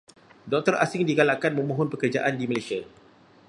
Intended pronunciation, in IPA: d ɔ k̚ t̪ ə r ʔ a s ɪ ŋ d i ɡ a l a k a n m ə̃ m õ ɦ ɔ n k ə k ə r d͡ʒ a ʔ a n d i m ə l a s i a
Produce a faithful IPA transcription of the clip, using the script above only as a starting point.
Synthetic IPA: d ɔ k̚ t̪ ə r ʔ a s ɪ ŋ d i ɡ a l a k a n m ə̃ m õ ɦ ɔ n p ə k ə r d͡ʒ a ʔ a n d i m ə l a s i a